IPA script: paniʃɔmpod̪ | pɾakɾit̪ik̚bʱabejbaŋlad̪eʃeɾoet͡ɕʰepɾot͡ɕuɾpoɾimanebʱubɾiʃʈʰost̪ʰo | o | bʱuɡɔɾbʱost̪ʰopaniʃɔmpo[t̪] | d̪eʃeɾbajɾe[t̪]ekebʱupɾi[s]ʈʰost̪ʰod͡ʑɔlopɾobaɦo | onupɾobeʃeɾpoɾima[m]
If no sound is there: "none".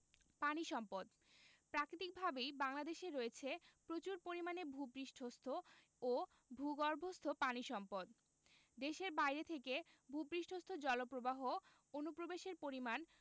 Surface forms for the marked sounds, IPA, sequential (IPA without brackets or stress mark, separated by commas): d̪, t̪ʰ, ʃ, n